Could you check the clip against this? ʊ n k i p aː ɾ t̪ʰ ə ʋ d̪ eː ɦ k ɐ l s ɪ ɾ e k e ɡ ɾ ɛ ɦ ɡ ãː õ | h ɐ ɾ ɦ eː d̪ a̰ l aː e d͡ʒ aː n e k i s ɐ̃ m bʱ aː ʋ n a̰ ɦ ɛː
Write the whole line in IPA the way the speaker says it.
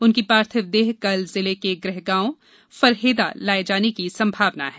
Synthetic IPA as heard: ʊ n k i p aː ɾ t̪ʰ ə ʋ d̪ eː ɦ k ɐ l z ɪ l e k e ɡ ɾ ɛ ɦ ɡ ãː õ | f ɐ ɾ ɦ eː d̪ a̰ l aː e d͡ʒ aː n e k i s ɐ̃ m bʱ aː ʋ n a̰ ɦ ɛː